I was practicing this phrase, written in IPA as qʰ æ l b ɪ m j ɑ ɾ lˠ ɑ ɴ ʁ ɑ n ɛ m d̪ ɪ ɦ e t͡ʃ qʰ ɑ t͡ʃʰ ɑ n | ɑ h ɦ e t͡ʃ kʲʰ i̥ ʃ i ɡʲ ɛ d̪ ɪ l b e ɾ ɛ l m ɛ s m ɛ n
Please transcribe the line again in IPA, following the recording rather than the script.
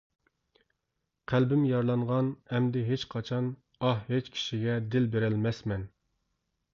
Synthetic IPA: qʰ æ l b ɪ m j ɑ ɾ lˠ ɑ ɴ ʁ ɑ n ɛ m d̪ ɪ ɦ e t͡ʃ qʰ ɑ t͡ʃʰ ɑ n | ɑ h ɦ e t͡ʃ kʲʰ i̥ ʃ i ɡʲ ɛ d̪ ɪ l b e ɾ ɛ l m ɛ s m ɛ n